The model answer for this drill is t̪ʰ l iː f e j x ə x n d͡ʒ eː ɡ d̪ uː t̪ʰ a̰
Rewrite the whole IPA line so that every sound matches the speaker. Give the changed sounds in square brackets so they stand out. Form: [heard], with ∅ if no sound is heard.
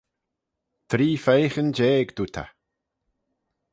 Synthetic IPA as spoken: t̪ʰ [ɾ] iː f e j x ə [∅] n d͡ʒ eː ɡ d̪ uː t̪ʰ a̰